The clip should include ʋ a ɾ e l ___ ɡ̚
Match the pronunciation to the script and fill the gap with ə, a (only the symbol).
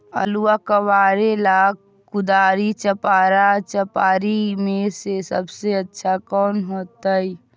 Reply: a